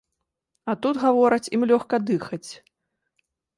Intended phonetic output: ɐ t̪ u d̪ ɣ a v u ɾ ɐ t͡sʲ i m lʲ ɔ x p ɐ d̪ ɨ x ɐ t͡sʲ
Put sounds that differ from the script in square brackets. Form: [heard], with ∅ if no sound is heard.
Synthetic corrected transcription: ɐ t̪ u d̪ ɣ a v [ɔ] ɾ ɐ t͡sʲ i m lʲ ɔ x [k] ɐ d̪ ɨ x ɐ t͡sʲ